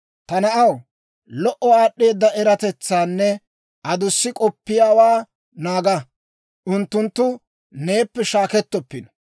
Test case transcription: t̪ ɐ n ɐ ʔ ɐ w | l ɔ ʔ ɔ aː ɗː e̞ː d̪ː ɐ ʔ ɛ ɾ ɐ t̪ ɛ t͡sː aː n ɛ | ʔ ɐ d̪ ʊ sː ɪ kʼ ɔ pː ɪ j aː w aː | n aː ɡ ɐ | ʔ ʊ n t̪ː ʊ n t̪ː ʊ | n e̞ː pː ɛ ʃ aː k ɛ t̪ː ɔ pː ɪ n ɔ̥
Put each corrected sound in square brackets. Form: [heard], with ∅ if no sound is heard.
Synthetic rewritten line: t̪ ɐ n ɐ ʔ ɐ w | l ɔ ʔ ɔ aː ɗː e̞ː d̪ː ɐ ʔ ɛ ɾ ɐ t̪ ɛ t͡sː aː [nː] ɛ | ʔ ɐ d̪ ʊ sː ɪ kʼ ɔ pː ɪ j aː w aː | n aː ɡ ɐ | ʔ ʊ n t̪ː ʊ n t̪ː ʊ | n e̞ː pː ɛ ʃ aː k ɛ t̪ː ɔ pː ɪ n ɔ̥